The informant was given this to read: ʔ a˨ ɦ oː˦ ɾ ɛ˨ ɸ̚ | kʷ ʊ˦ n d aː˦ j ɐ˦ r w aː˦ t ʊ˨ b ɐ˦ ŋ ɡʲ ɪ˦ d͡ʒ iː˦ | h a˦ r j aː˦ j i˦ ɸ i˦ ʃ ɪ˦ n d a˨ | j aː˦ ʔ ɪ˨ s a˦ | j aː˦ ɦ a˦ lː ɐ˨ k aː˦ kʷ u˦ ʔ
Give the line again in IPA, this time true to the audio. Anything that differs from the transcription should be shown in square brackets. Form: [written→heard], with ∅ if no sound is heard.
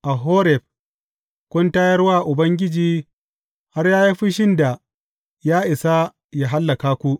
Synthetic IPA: ʔ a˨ ɦ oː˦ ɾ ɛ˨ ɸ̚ | kʷ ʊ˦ n [d→t] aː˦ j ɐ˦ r w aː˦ [t→ʔ] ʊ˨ b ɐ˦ ŋ ɡʲ ɪ˦ d͡ʒ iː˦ | h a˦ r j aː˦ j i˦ ɸ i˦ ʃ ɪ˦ n d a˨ | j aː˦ ʔ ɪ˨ s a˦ | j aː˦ ɦ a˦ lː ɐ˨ k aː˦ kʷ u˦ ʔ